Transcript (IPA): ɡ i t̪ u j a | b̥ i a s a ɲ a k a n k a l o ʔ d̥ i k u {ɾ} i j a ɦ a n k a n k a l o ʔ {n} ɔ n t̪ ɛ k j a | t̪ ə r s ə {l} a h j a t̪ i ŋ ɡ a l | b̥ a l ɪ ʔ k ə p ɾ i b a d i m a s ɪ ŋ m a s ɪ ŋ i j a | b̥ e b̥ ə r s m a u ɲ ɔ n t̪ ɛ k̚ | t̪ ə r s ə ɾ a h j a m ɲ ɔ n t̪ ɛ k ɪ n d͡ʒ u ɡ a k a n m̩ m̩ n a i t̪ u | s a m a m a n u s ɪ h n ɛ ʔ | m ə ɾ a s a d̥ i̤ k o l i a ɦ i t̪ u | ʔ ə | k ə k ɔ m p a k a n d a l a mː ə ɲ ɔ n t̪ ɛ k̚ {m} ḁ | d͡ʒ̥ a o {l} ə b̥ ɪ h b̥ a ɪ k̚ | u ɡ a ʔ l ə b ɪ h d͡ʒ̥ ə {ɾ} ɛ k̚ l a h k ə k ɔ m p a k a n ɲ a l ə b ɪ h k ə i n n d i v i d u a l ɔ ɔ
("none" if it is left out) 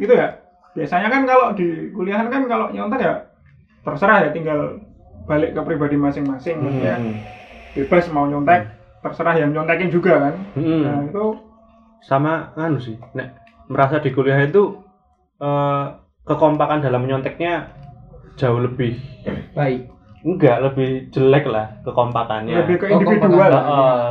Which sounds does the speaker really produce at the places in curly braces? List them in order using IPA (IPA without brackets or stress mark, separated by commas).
l, ɲ, ɾ, ɲ, l, l